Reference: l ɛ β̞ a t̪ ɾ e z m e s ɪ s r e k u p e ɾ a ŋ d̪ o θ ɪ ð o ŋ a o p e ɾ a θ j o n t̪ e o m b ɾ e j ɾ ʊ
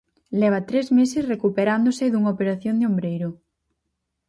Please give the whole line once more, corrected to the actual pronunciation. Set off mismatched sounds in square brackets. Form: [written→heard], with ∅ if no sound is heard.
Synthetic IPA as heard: l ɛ β̞ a t̪ ɾ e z m e s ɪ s r e k u p e ɾ a [ŋ→n] d̪ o [θ→s] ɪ ð [o→u] ŋ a o p e ɾ a θ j o n [t̪→d̪] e o m b ɾ e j ɾ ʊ